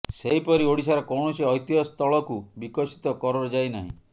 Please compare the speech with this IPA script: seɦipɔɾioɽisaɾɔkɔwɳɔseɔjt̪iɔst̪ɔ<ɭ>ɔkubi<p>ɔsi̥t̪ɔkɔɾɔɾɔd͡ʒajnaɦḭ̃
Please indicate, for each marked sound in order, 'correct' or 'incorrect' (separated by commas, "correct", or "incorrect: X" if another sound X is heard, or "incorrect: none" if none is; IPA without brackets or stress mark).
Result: correct, incorrect: k